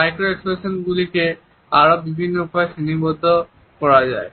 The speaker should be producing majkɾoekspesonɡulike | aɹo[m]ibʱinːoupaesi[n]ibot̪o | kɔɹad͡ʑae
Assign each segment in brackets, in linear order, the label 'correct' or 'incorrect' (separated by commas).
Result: incorrect, correct